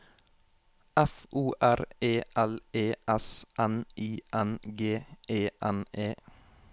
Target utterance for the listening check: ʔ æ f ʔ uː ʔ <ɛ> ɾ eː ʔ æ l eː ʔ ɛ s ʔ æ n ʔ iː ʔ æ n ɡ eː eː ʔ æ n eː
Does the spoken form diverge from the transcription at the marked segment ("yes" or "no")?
yes